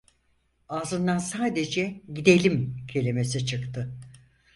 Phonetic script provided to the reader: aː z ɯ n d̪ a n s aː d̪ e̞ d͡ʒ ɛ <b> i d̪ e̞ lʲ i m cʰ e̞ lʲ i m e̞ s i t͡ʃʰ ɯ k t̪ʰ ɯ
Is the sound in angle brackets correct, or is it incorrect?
incorrect